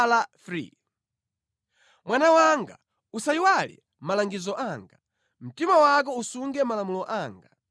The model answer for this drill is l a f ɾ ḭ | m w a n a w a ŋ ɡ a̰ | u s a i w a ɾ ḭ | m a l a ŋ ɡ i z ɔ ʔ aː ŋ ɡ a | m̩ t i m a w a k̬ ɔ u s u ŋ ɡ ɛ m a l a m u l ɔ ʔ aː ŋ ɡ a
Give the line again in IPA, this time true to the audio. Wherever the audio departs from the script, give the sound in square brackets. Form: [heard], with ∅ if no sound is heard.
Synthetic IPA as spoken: l a f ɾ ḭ | m w a n a w a ŋ ɡ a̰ | u s a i w a [l] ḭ | m a l a ŋ ɡ i z ɔ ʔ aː ŋ ɡ a | m̩ t i m a w a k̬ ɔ u s u ŋ ɡ ɛ m a l a m u l ɔ ʔ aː ŋ ɡ a

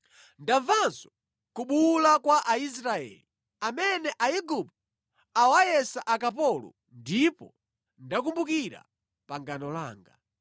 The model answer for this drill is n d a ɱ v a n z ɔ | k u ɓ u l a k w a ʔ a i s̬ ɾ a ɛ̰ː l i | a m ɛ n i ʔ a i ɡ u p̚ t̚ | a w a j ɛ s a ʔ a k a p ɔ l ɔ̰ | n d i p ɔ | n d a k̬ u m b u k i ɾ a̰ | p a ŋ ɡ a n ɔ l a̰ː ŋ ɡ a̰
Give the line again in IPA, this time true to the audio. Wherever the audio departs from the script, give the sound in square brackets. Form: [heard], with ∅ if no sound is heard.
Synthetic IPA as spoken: n d a ɱ v a n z ɔ | k u ɓ u l a k w a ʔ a i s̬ ɾ a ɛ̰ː l i | a m ɛ n [ɛ] ʔ a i ɡ u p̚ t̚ | a w a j ɛ s a ʔ a k a p ɔ l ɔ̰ | n d i p ɔ | n d a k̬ u m b u k i ɾ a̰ | p a ŋ ɡ a n ɔ l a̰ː ŋ ɡ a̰

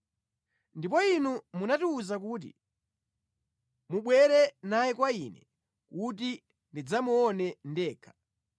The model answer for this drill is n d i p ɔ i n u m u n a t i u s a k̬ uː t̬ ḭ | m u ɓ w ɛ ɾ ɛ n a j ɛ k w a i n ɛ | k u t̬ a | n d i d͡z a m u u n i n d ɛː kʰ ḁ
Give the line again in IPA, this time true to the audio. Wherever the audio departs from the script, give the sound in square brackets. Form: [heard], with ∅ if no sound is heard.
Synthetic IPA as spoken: n d i p ɔ i n u m u n a t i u [z] a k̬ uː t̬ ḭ | m u ɓ w ɛ ɾ ɛ n a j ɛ k w a i n ɛ | k u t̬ [i] | n d i d͡z a m u [ɔ] n [ɛ] n d ɛː kʰ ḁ

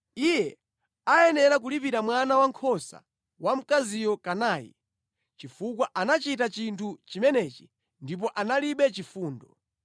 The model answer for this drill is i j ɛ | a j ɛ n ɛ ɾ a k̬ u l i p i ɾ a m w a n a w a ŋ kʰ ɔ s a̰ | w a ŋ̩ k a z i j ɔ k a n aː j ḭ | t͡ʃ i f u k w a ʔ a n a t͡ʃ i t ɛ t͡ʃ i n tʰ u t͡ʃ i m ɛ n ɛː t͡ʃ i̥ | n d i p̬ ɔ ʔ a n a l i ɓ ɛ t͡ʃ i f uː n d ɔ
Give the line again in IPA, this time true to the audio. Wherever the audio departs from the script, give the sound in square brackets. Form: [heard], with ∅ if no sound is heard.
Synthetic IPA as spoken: i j ɛ | a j ɛ n ɛ ɾ a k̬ u l i p i ɾ a m w a n a w a ŋ kʰ ɔ s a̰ | w a [m̩] k a z i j ɔ k a n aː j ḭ | t͡ʃ i f u k w a ʔ a n a t͡ʃ i t [a] t͡ʃ i n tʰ u t͡ʃ i m ɛ n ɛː t͡ʃ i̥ | n d i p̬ ɔ ʔ a n a l i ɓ ɛ t͡ʃ i f uː n d ɔ

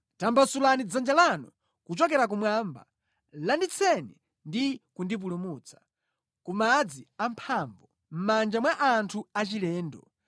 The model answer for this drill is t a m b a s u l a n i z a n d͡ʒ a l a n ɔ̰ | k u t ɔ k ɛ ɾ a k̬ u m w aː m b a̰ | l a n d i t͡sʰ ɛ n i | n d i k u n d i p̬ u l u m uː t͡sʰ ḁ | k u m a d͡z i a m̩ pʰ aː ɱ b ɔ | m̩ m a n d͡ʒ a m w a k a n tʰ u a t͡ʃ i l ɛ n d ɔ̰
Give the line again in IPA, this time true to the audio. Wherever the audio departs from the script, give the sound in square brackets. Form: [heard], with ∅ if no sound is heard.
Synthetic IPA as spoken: t a m b a s u l a n i [d͡z] a n d͡ʒ a l a n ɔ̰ | k u [t͡ʃ] ɔ k ɛ ɾ a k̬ u m w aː m b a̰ | l a n d i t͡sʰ ɛ n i | n d i k u n d i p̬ u l u m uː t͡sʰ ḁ | k u m a d͡z i a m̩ pʰ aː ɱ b ɔ | m̩ m a n d͡ʒ a m w a [ʔ] a n tʰ u a t͡ʃ i l [ɛː] n d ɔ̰

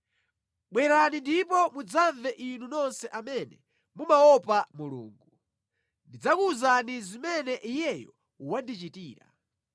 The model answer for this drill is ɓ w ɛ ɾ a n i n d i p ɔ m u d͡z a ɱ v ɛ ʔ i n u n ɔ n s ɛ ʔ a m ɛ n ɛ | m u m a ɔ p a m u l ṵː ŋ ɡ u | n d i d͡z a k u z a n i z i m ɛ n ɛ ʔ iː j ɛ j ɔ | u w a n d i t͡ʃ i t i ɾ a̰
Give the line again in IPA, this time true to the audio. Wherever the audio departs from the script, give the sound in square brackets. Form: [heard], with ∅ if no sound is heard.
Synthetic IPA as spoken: ɓ w ɛ ɾ a n i n d i p ɔ m u d͡z a ɱ v ɛ ʔ i n u n ɔ n s ɛ ʔ a m ɛ n ɛ | m u m a ɔ p a m u l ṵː ŋ ɡ u | n d i d͡z a k u z a n i z i m ɛ n ɛ ʔ [i] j ɛ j ɔ | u w a n d i t͡ʃ i t [iː] ɾ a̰

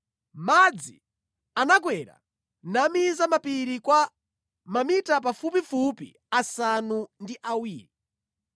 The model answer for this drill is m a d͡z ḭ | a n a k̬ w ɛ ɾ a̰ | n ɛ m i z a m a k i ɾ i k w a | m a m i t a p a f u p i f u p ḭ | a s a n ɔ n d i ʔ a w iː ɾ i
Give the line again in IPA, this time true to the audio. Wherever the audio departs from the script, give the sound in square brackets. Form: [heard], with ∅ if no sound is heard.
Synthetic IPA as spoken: m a d͡z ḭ | a n a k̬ w ɛ ɾ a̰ | n [a] m i z a m a [p] i ɾ i k w a | m a m i t a p a f u p i f u p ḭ | a s a n [u] n d i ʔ a w iː ɾ i

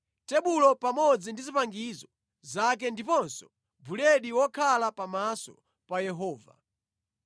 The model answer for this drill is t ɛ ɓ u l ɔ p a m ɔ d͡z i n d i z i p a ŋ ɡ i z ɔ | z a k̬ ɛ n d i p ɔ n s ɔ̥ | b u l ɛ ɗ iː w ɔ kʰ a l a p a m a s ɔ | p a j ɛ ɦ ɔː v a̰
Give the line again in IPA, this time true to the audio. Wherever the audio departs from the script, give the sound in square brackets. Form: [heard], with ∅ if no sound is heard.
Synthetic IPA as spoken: t ɛ ɓ u l ɔ p a m ɔ d͡z i n d i z i p a ŋ ɡ i z ɔ | z a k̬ ɛ n d i p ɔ n s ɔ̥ | b u l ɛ ɗ [i] w ɔ kʰ a l a p a m a s ɔ | p a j ɛ ɦ ɔː v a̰

